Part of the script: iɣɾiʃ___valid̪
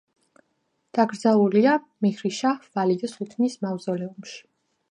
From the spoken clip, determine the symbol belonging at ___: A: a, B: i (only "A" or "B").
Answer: A